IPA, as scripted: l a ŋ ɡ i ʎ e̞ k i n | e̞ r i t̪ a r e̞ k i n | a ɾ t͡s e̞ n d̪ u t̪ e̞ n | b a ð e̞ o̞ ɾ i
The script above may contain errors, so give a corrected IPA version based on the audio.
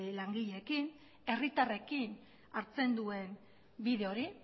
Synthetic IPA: l a ŋ ɡ i ʎ e̞ k i n | e̞ r i t̪ a r e̞ k i n | a ɾ t͡s e̞ n d̪ u e̞ n | b i ð e̞ o̞ ɾ i